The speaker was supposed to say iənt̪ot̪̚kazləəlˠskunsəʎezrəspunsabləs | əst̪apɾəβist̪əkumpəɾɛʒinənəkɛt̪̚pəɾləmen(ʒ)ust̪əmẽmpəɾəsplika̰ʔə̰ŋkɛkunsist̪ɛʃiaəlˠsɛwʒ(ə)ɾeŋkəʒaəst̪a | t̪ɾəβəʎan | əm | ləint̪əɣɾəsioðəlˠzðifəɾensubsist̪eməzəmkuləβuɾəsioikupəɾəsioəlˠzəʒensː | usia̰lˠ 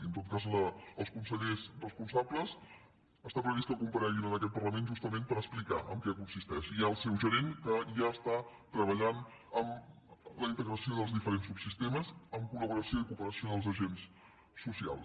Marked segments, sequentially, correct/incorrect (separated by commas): correct, correct